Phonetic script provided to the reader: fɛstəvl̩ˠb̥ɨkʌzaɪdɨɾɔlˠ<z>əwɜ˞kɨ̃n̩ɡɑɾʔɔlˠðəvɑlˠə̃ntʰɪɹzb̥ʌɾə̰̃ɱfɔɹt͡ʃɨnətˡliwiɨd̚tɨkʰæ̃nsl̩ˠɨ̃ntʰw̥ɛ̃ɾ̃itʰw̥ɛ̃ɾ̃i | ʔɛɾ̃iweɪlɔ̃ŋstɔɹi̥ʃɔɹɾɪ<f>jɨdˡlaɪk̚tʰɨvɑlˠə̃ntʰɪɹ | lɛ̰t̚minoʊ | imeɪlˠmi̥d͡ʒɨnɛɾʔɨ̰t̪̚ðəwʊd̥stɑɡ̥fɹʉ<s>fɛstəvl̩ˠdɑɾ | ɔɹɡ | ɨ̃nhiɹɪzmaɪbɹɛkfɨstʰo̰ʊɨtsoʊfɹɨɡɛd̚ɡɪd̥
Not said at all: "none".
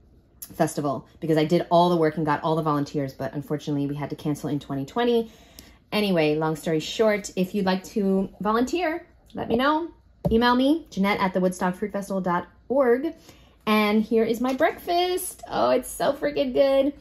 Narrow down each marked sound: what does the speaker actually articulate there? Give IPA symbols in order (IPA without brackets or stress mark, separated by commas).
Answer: ð, f, t